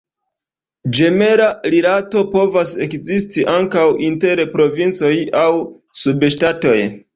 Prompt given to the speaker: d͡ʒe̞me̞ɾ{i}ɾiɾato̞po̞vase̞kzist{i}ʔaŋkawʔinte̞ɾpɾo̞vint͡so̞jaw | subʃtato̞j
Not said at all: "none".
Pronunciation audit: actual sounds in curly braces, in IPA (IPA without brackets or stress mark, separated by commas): a, i